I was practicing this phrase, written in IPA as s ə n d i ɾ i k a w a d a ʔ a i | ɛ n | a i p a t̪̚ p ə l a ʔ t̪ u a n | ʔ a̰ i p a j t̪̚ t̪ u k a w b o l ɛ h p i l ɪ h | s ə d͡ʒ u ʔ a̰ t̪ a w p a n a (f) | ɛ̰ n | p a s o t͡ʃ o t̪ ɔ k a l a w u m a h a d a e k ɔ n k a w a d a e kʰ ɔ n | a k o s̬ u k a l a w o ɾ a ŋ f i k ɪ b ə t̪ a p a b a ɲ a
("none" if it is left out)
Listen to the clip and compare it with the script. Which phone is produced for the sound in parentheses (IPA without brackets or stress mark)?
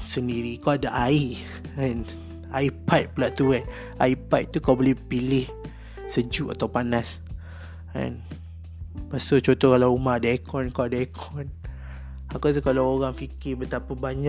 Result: s